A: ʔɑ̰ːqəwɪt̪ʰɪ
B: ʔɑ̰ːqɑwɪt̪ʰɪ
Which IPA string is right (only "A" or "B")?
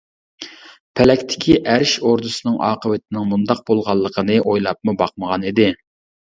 A